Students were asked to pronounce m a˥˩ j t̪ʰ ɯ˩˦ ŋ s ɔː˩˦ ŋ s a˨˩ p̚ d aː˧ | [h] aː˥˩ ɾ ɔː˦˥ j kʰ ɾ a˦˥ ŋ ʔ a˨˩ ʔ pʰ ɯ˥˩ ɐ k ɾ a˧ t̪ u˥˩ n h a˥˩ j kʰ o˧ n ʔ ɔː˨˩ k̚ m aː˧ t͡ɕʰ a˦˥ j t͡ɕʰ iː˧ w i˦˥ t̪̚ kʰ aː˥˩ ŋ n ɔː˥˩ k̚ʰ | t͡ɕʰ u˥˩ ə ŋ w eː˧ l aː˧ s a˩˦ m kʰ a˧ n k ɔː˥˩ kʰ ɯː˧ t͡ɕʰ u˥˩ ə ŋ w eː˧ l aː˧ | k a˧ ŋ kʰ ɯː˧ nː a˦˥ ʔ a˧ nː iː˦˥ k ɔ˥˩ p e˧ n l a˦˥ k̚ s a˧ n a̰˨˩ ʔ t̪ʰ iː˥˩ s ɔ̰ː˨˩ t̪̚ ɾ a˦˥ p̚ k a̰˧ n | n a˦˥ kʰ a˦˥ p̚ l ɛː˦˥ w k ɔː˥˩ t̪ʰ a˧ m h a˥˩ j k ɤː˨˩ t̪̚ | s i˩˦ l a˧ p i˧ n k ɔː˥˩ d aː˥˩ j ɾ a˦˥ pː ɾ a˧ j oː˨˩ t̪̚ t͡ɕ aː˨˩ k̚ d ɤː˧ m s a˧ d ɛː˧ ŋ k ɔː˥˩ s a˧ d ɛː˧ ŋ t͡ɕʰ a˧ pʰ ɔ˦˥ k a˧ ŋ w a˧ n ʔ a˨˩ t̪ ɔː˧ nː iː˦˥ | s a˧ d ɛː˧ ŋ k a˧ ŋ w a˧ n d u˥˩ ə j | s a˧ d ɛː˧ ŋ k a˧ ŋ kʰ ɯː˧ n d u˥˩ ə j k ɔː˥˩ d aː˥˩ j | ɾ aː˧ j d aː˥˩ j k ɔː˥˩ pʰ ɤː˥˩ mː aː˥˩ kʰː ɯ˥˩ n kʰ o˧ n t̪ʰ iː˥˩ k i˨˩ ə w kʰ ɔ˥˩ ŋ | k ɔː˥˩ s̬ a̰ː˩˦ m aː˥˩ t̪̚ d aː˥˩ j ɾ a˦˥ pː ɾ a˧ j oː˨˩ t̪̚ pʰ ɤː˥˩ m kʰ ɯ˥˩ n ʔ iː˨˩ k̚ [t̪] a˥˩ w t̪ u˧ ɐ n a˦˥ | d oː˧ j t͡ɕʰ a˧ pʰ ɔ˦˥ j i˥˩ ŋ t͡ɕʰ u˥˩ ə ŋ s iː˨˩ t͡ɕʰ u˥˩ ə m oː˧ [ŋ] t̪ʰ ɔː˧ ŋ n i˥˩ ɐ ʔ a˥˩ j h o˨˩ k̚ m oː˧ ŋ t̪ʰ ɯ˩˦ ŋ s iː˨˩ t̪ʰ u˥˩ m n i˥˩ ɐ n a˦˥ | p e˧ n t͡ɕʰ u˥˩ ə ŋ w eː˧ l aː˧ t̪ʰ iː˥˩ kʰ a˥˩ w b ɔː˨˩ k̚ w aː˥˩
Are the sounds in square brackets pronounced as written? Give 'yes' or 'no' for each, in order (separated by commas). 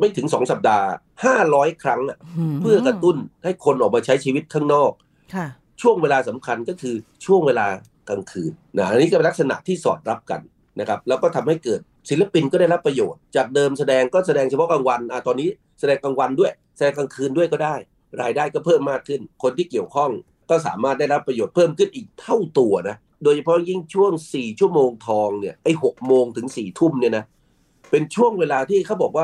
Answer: yes, no, yes